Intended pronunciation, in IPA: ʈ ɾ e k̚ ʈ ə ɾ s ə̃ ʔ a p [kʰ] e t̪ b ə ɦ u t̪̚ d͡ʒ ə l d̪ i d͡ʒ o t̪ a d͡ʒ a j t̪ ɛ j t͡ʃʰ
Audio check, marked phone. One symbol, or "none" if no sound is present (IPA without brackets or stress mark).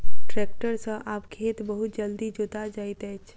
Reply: kʰ